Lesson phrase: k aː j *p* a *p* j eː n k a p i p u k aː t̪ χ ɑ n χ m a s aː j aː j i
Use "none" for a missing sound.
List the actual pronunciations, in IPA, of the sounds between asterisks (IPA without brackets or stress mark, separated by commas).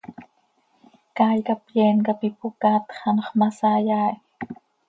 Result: k, p